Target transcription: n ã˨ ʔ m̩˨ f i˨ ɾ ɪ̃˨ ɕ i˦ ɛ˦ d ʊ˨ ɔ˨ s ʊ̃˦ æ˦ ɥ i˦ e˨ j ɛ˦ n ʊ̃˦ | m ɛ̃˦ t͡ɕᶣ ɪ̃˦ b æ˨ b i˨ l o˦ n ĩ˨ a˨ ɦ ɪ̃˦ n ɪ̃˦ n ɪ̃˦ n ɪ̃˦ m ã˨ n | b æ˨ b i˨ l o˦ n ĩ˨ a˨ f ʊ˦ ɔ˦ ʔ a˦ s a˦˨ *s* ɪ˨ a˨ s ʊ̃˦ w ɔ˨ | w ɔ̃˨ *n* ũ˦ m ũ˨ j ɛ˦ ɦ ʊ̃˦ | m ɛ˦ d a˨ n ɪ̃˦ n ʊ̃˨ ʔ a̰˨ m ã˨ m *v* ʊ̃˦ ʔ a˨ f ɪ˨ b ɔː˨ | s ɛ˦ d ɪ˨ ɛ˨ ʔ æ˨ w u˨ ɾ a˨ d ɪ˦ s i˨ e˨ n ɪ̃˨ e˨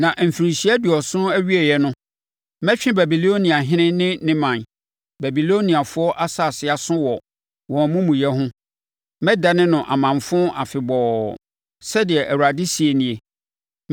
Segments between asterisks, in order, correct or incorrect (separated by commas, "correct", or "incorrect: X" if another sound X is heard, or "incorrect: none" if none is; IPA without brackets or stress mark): correct, incorrect: m, incorrect: f